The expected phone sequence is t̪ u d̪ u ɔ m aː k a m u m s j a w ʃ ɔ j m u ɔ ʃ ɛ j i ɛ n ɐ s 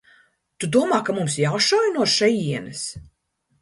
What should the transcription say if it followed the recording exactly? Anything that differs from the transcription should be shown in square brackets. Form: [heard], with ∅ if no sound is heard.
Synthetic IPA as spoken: t̪ u d̪ u ɔ m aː k a m u m s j a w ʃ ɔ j [n] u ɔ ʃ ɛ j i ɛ n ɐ s